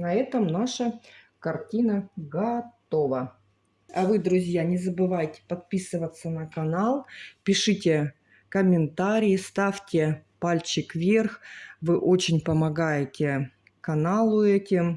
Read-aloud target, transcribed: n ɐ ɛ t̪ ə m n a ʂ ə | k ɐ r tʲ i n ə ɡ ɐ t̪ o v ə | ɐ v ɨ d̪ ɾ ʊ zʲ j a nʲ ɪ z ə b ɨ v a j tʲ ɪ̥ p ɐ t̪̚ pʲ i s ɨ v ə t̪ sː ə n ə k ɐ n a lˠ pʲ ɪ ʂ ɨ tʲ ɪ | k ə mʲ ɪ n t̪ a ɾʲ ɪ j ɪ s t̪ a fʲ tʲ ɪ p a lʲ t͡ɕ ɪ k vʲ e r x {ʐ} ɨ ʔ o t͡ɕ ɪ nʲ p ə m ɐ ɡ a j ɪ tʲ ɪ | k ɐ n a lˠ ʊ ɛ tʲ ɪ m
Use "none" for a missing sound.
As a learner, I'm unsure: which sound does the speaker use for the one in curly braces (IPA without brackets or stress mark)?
v